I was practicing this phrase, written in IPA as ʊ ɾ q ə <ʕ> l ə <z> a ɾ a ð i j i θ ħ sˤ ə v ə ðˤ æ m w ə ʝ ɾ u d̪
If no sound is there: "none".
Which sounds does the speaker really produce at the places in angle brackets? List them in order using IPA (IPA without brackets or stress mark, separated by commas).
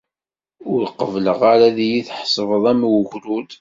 v, ʁ